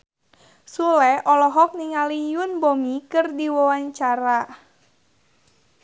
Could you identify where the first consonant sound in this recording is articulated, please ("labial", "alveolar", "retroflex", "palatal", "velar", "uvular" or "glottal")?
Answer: alveolar